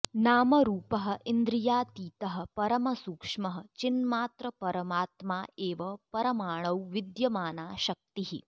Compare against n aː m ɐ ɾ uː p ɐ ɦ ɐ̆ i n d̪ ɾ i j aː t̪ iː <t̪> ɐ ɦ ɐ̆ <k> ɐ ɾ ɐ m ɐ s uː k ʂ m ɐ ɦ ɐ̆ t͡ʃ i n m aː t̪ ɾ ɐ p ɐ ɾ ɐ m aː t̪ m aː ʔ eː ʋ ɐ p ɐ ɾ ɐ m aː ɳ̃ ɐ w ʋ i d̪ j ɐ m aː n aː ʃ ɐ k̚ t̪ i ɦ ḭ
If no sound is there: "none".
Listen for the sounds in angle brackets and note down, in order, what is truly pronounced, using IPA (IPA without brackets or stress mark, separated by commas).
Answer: t̪, p